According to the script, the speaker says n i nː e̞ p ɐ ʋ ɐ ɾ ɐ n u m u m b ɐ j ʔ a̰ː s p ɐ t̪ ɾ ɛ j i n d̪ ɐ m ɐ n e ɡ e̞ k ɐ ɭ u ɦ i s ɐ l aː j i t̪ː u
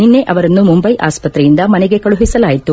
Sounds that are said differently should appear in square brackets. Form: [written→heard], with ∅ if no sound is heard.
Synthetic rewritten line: n i nː e̞ [p→ʔ] ɐ ʋ ɐ ɾ ɐ [n→nː] u m u m b ɐ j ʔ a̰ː s p ɐ t̪ ɾ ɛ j i n d̪ ɐ m ɐ n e ɡ e̞ k ɐ ɭ u ɦ i s ɐ l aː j i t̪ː u